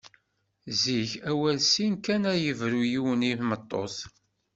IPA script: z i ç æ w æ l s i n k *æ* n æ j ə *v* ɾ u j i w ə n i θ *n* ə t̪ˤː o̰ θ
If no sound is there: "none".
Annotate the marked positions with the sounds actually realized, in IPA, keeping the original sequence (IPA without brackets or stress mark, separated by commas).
æ, v, m